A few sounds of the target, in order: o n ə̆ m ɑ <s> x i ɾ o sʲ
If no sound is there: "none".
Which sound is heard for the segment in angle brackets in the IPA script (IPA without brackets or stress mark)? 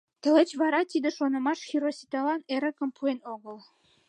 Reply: ʃ